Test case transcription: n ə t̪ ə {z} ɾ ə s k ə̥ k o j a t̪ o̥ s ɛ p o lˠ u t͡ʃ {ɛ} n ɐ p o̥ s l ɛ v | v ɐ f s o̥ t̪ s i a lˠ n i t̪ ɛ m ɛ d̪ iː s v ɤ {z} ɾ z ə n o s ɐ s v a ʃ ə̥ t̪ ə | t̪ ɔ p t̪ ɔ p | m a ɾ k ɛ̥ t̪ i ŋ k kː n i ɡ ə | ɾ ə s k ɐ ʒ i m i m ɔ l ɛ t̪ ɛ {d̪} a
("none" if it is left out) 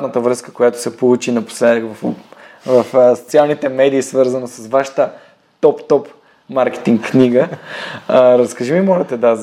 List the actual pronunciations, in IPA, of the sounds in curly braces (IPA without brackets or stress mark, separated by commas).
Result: v, i, none, d̪